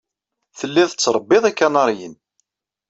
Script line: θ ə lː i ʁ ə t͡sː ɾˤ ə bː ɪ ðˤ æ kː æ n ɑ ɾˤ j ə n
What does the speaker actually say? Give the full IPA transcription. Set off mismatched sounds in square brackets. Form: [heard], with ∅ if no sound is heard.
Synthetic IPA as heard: θ ə lː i [ð] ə t͡sː ɾˤ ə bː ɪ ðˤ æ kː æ n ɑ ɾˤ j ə n

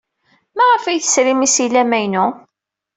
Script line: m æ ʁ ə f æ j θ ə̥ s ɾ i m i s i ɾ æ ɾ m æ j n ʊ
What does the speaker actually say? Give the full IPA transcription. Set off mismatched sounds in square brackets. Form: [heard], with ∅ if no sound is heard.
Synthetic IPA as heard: m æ ʁ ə f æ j θ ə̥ s ɾ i m i s i [l] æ [∅] m æ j n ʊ

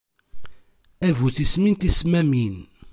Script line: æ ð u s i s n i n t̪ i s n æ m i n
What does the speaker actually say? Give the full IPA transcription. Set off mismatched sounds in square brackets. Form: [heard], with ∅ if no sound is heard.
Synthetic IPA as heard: æ [v] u [θ] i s [m] i n t̪ i s [m] æ m i n

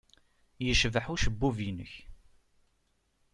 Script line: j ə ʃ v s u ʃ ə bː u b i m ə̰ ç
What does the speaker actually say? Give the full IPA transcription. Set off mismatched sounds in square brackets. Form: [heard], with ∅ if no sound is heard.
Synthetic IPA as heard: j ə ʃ v [ħ] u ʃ ə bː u [v] i [n] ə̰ ç

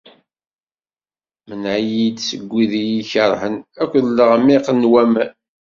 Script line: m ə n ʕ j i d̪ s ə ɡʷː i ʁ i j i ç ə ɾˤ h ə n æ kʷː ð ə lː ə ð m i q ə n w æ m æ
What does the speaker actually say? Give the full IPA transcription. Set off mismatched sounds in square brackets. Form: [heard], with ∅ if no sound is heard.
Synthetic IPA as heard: m ə n ʕ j i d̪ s ə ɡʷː i [ð] i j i ç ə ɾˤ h ə n æ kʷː ð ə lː ə [ʁ] m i q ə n w æ m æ

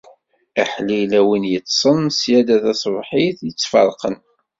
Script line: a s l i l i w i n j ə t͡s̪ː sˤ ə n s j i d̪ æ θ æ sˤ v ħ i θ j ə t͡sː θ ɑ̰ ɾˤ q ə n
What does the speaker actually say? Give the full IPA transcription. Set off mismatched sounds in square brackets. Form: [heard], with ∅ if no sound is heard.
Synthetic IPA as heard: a [ħ] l i l [æ] w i n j ə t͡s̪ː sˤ ə n s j [æ] d̪ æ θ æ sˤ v ħ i θ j ə t͡sː [f] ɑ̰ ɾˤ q ə n

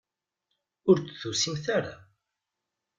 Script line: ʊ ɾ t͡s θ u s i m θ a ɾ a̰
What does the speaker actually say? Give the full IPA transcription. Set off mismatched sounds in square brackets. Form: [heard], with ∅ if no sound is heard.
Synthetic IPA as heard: ʊ ɾ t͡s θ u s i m θ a ɾ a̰

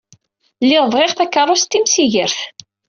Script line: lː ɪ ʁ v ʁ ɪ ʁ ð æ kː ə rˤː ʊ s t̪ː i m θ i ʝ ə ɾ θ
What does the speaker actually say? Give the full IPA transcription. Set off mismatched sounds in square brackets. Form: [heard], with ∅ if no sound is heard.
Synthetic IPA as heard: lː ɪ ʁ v ʁ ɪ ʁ [θ] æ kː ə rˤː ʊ s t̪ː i m [s] i ʝ ə ɾ θ

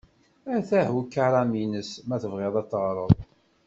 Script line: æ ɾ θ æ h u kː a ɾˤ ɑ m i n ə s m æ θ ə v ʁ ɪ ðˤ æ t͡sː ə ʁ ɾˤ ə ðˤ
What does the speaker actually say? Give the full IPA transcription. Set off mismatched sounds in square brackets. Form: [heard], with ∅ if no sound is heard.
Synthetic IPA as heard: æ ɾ θ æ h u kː a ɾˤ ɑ m i n ə s m æ θ ə v ʁ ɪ ðˤ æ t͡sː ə ʁ ɾˤ ə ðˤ

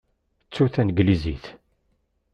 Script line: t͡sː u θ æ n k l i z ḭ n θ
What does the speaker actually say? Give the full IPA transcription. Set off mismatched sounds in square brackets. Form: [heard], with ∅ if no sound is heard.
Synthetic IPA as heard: t͡sː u θ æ n [ɡ] l i z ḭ [∅] θ

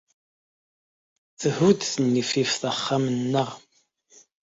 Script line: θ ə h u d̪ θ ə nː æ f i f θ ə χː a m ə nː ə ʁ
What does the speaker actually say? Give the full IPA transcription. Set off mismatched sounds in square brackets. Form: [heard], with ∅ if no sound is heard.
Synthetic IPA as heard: θ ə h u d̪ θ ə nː [i] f i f θ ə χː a m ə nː ə ʁ

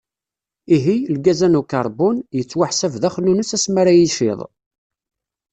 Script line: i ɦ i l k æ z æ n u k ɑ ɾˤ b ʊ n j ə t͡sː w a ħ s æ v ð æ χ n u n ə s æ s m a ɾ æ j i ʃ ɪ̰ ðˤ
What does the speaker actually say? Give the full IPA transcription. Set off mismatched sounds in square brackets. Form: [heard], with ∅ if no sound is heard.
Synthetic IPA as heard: i ɦ i l [ɡ] æ z æ n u k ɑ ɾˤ b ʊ n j ə t͡sː w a ħ s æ v ð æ χ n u n ə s æ s m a ɾ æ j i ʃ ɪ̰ ðˤ

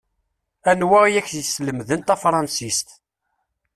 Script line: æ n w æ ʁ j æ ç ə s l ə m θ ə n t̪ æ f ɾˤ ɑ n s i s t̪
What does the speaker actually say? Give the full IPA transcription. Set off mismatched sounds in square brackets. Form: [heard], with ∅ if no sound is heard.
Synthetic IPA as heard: æ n w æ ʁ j æ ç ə s l ə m [ð] ə n t̪ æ f ɾˤ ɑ n s i s t̪

